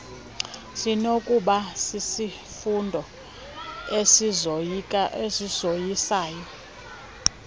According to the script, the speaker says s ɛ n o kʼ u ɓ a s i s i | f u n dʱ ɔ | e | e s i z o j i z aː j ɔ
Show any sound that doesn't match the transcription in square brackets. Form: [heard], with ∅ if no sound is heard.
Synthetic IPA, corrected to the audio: s [i] n o kʼ u ɓ a s i s i | f u n dʱ ɔ | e | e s i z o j i [s] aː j ɔ